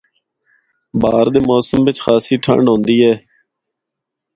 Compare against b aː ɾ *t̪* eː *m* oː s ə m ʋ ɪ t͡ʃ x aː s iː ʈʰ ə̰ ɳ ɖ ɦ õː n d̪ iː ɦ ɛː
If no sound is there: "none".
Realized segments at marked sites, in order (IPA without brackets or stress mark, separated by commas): d̪, m